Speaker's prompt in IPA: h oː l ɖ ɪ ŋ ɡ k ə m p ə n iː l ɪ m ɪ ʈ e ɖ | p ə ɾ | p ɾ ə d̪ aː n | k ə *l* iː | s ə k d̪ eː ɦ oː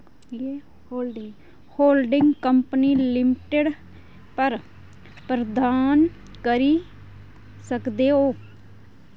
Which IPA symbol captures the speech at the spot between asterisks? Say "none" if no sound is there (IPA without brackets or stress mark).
ɾ